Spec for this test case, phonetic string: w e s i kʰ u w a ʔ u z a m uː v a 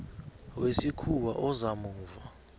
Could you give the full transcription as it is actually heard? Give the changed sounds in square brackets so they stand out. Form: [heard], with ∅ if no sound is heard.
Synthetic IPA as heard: w e s i kʰ u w a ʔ [ɔ] z a m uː v a